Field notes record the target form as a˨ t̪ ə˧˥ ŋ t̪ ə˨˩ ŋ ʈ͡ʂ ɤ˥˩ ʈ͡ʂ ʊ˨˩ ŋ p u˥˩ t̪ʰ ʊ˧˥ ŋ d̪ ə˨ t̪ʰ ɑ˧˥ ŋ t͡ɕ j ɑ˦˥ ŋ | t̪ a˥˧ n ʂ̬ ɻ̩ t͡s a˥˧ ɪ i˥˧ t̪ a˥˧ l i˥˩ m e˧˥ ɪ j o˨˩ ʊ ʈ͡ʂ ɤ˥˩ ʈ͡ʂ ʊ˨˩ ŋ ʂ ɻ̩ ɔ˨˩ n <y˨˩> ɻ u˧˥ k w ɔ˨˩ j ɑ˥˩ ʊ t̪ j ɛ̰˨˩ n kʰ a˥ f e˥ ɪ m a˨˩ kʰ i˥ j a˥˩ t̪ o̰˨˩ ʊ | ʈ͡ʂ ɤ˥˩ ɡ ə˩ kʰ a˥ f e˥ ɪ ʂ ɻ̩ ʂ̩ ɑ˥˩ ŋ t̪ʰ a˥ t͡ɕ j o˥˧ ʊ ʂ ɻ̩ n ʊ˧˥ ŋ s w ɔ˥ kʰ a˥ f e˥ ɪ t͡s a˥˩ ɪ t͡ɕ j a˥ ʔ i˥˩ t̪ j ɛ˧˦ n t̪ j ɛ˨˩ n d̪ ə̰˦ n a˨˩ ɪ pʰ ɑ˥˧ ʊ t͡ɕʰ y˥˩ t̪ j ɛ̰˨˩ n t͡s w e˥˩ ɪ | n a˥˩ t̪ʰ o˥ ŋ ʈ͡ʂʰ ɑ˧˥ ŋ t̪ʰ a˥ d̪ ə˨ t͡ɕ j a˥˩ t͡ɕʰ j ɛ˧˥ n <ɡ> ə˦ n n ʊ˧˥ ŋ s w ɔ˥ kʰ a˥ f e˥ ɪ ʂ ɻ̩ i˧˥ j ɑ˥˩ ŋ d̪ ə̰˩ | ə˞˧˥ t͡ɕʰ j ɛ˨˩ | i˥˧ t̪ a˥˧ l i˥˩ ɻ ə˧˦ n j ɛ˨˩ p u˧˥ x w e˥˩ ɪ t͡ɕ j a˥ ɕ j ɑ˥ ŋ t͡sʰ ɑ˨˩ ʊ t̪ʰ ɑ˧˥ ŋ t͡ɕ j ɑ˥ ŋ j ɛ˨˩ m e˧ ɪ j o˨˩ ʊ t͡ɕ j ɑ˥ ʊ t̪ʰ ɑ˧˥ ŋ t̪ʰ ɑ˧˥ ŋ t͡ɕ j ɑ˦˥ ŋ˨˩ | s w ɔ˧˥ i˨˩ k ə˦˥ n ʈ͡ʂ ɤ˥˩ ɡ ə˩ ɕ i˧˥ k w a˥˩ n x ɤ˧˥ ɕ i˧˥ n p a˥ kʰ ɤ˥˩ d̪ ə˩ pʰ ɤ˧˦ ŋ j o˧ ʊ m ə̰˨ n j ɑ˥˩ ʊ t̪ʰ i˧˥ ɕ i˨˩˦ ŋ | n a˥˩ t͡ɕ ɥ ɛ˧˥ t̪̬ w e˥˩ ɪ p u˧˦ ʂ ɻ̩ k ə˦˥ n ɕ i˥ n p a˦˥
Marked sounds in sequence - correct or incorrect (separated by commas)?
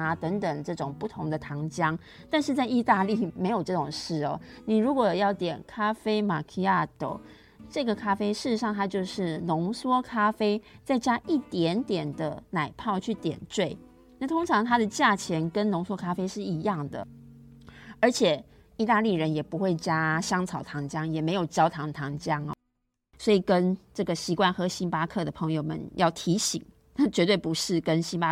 incorrect, incorrect